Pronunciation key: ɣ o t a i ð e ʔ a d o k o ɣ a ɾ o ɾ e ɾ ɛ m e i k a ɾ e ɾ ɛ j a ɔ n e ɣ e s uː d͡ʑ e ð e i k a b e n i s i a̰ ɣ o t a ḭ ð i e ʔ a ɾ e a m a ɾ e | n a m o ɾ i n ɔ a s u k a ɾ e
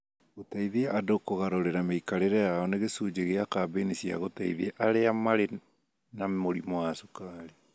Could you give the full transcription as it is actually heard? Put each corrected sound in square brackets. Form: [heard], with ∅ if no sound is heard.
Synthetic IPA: ɣ o t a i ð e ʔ a d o k o ɣ a ɾ o ɾ e ɾ [a] m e i k a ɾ e ɾ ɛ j a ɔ n e ɣ e s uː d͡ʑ e [ɣ] e [a] k a b e n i s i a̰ ɣ o t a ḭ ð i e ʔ a ɾ e a m a ɾ e | n a m o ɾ i [m] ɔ a s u k a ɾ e